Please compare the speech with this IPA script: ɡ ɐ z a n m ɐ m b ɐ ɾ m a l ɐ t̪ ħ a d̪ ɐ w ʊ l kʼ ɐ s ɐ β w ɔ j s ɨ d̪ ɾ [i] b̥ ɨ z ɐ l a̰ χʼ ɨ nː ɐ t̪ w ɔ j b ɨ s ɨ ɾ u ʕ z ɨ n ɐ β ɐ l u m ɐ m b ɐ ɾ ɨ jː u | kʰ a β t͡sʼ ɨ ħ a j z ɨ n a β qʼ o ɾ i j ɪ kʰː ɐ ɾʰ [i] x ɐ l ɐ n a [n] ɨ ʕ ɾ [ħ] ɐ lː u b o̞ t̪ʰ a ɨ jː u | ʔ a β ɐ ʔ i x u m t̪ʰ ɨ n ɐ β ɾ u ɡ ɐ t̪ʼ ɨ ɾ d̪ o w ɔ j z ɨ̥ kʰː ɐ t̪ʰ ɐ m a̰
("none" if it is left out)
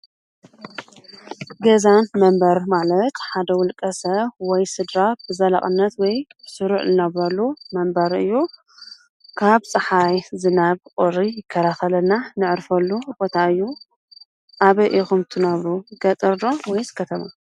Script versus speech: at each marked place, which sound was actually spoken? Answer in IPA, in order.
a, a, n, f

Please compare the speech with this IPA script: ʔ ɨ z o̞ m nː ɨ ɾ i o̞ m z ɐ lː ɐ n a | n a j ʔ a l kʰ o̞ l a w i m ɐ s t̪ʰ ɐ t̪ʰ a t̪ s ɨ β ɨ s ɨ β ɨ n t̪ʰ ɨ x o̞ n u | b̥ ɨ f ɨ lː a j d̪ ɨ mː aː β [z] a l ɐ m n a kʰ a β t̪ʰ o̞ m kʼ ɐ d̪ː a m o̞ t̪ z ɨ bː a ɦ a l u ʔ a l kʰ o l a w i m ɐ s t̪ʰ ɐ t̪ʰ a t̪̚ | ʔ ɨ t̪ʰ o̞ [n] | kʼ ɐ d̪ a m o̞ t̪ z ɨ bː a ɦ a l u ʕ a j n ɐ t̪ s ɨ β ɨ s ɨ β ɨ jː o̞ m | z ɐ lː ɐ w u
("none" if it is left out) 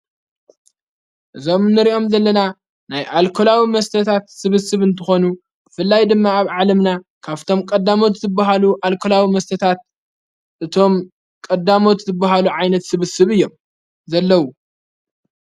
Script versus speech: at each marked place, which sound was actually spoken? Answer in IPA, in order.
ʕ, m

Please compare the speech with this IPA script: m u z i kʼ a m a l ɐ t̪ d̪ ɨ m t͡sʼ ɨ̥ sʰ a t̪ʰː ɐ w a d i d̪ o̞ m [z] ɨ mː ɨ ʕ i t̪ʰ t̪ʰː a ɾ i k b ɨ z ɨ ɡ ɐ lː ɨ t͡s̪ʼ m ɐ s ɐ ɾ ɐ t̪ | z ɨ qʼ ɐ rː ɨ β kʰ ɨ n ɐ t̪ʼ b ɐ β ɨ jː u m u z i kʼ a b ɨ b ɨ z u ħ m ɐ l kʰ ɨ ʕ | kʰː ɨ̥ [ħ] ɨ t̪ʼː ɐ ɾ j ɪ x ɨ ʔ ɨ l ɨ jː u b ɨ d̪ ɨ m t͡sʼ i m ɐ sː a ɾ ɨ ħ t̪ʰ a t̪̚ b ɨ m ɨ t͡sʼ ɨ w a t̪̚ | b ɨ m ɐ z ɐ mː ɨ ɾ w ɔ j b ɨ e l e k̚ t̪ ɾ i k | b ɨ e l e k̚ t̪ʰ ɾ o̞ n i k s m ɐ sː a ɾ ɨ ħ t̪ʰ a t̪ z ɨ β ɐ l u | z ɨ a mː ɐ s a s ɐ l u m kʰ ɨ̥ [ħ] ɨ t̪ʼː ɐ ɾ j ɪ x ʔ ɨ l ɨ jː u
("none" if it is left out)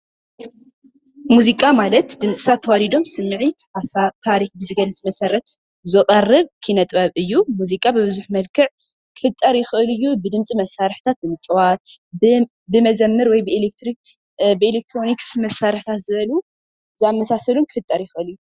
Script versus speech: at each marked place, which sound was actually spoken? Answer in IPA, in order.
s, f, f

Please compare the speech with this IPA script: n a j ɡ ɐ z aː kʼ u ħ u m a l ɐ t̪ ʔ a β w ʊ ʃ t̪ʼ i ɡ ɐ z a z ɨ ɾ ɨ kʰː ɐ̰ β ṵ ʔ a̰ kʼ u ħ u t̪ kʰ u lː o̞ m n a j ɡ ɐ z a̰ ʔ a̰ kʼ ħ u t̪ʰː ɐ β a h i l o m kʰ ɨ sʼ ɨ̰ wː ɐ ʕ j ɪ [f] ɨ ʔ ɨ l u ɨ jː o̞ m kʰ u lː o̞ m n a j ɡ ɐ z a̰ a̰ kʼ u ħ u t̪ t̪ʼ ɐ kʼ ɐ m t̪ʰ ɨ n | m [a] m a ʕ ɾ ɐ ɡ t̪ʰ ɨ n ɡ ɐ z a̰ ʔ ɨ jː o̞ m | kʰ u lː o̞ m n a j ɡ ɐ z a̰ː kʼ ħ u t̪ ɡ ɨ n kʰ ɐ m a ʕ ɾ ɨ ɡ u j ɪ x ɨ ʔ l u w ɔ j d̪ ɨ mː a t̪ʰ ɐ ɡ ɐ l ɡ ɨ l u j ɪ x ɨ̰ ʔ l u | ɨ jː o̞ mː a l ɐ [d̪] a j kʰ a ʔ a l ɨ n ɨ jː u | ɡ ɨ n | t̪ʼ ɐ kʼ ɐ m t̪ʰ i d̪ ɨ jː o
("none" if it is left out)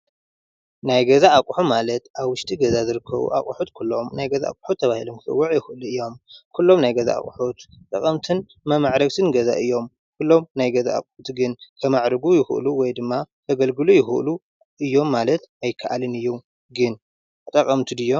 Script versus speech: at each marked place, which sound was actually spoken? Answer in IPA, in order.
x, ɐ, t̪

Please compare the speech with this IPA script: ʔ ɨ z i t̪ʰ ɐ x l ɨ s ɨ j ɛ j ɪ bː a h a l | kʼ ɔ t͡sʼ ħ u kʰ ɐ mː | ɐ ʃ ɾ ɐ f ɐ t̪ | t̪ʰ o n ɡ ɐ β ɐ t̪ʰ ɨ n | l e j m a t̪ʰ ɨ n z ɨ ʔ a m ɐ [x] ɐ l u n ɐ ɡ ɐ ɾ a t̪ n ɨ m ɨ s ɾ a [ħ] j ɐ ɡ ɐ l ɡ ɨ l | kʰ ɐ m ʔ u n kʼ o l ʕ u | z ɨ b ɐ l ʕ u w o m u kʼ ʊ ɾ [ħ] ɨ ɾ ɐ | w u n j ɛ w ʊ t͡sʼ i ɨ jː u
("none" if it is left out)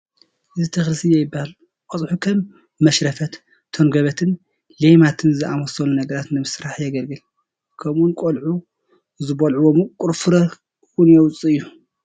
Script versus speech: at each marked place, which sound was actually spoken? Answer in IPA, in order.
s, ħ, f

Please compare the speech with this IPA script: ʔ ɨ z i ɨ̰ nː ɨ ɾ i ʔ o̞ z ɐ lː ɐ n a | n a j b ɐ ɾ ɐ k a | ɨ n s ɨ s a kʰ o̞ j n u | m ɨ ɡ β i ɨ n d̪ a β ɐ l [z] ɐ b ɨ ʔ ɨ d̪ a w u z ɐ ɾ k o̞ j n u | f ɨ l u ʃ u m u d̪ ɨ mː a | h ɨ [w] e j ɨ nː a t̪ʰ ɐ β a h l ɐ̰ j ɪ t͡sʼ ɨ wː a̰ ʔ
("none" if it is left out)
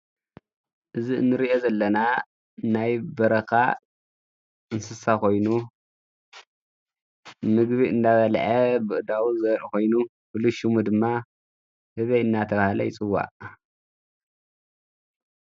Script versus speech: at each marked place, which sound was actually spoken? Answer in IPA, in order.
ʕ, β

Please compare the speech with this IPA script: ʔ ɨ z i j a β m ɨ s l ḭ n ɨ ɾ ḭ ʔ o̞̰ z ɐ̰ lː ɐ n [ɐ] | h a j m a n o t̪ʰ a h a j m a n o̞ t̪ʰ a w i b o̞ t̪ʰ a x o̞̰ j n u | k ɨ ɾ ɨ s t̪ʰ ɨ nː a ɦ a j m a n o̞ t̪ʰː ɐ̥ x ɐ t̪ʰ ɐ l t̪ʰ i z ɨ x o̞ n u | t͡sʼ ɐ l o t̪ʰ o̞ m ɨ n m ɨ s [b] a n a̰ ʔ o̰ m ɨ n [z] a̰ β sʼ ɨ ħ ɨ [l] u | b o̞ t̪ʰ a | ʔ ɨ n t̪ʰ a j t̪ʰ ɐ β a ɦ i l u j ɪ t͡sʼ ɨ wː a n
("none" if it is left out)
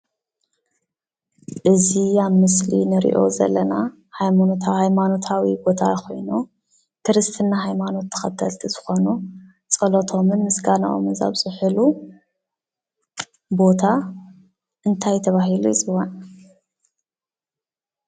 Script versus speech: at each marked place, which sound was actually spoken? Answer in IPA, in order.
a, ɡ, z, l

